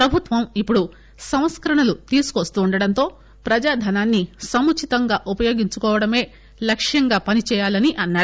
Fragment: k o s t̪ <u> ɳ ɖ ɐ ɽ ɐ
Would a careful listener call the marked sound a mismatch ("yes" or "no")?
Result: yes